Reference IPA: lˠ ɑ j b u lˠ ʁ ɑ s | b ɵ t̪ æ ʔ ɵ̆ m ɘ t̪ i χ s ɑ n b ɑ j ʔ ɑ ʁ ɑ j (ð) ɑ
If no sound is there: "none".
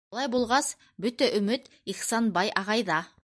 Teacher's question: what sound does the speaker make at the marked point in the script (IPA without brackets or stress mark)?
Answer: ð